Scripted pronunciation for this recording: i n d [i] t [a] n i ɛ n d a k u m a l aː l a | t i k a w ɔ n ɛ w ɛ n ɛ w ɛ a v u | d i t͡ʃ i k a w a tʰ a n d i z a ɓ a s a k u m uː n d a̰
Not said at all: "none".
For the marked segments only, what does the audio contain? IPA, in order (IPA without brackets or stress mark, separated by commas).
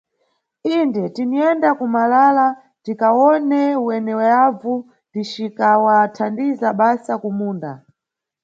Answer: ɛ, i